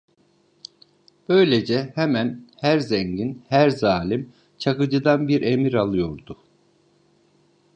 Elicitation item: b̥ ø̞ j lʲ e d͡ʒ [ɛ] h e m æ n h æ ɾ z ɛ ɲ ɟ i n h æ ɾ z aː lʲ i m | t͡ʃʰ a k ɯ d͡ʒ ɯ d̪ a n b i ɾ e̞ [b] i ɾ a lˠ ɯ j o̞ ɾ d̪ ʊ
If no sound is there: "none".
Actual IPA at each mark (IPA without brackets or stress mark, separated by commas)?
ɛ, m